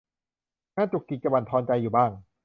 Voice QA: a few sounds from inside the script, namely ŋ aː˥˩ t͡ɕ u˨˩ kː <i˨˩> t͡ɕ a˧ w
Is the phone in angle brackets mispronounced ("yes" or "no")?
no